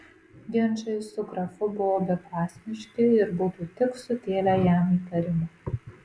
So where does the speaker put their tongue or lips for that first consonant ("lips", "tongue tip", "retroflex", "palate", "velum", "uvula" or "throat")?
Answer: velum